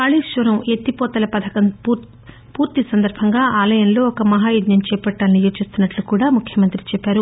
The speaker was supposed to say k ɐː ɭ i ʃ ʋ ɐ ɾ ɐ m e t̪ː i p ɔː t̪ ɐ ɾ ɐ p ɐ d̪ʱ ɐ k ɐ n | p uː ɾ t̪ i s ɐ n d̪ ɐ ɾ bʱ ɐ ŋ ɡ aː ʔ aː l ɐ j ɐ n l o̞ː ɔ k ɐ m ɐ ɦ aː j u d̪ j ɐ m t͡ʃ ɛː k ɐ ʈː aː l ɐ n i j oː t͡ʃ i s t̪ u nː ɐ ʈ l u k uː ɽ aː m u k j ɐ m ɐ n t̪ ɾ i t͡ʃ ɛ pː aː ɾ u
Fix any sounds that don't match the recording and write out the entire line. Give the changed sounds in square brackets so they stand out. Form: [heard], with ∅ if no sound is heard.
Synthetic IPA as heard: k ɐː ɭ i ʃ ʋ ɐ ɾ ɐ m e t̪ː i p ɔː t̪ ɐ [l] ɐ p ɐ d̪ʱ ɐ k ɐ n | p uː ɾ t̪ i s ɐ n d̪ ɐ ɾ bʱ ɐ ŋ ɡ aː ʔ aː l ɐ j ɐ n l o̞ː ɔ k ɐ m ɐ ɦ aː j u d̪ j ɐ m t͡ʃ ɛː [p] ɐ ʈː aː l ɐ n i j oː t͡ʃ i s t̪ u nː ɐ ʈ l u k uː ɽ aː m u [kʰ] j ɐ m ɐ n t̪ ɾ i t͡ʃ ɛ pː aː ɾ u